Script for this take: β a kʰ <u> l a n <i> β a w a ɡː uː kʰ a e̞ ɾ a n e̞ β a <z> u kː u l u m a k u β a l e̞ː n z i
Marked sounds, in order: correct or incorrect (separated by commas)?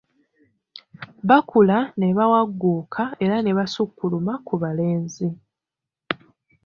correct, incorrect, incorrect